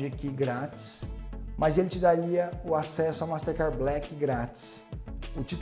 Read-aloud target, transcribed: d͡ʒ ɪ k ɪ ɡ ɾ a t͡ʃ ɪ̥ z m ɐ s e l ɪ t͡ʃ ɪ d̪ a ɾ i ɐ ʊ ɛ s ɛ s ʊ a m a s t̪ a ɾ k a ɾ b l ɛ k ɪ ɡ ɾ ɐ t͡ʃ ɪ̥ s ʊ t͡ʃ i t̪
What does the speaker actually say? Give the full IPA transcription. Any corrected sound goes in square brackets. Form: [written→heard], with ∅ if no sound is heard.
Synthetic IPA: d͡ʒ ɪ k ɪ ɡ ɾ a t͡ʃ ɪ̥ [z→s] m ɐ [s→z] e l ɪ t͡ʃ ɪ d̪ a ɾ i ɐ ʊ [ɛ→a] s ɛ s ʊ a m a s t̪ [a→e] ɾ k a ɾ b l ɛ k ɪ ɡ ɾ [ɐ→a] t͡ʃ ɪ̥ s ʊ t͡ʃ i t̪